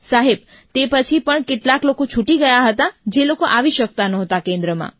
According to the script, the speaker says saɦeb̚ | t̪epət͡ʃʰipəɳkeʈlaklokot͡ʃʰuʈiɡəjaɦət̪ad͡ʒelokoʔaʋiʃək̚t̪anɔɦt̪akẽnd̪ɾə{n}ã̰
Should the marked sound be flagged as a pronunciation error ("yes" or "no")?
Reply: yes